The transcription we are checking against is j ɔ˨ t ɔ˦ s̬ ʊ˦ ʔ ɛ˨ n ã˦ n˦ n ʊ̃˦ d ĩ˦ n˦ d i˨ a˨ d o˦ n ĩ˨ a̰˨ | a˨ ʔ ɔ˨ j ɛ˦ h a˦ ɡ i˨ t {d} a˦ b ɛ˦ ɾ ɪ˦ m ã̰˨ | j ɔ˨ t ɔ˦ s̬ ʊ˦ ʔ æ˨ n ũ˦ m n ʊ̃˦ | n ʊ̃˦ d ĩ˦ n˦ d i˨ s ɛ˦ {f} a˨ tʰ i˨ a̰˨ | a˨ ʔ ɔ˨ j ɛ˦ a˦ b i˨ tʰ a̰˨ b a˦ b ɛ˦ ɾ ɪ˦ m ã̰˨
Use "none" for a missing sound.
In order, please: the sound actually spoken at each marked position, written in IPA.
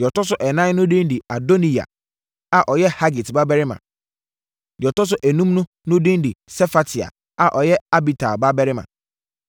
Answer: b, f

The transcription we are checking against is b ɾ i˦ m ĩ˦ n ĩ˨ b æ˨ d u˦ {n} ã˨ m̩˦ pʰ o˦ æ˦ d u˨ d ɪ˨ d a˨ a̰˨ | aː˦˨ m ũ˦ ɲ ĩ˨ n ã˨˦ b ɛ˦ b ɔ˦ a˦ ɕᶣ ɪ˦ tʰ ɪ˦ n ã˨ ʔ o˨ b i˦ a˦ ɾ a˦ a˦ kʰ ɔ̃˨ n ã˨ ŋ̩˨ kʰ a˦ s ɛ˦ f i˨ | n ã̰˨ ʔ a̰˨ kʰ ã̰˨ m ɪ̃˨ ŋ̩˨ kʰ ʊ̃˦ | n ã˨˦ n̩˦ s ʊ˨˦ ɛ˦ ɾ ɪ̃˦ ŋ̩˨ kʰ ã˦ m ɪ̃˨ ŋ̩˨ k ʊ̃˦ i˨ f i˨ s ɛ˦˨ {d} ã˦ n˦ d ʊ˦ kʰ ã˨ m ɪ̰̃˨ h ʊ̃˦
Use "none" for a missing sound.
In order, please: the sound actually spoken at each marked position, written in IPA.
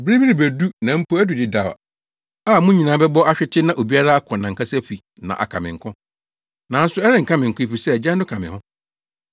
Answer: n, d͡ʑ

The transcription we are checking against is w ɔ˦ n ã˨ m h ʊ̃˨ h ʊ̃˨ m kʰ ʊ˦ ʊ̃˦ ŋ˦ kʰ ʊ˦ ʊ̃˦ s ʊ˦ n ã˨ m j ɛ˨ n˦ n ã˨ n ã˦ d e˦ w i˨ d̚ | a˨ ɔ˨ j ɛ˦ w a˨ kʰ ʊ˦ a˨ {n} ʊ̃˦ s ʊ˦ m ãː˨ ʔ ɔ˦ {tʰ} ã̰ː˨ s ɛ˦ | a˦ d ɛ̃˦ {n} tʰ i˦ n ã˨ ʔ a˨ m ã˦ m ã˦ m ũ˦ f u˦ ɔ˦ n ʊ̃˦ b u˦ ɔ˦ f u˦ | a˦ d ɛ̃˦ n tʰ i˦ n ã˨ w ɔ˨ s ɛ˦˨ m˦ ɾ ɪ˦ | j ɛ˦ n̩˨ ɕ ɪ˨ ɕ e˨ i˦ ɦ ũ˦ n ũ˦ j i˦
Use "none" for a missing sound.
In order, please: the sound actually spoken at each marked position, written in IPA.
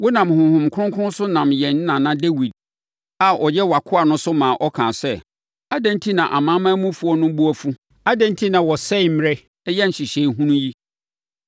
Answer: n, kʰ, n

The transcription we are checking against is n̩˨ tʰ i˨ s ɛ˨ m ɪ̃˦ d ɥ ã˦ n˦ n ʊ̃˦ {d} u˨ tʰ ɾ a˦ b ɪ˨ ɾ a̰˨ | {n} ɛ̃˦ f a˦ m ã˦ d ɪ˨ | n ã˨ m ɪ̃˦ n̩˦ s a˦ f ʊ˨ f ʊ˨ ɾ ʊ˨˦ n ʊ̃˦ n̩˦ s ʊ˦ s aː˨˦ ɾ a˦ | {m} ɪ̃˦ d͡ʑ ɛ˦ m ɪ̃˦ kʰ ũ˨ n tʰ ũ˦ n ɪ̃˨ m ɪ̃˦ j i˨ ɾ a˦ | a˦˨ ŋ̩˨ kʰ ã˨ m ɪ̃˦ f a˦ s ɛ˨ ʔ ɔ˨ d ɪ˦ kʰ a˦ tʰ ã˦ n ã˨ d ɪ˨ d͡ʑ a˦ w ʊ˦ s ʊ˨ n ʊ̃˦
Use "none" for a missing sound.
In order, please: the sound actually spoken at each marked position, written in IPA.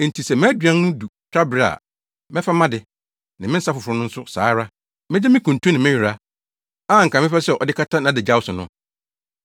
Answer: d, m, m

